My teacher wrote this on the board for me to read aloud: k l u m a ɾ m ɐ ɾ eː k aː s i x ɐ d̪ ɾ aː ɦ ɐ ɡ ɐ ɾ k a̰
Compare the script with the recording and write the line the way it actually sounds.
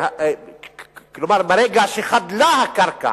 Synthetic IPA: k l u m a ɾ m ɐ ɾ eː ɡ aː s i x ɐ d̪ l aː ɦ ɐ k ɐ ɾ k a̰